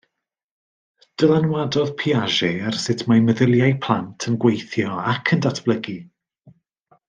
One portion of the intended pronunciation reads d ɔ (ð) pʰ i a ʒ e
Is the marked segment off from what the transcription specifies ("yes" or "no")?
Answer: no